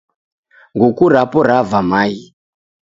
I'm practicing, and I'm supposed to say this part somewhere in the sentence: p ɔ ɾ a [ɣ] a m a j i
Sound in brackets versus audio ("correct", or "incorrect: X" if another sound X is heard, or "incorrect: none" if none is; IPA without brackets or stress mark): incorrect: v